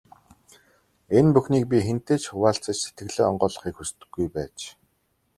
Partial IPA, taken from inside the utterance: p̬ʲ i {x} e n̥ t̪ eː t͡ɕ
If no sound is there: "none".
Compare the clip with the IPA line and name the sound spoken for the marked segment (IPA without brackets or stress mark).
x